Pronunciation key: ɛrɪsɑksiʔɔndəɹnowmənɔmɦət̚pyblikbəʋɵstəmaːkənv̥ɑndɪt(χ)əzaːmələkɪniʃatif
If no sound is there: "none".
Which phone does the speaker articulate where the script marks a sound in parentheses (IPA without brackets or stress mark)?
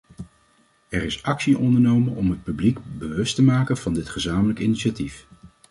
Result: χ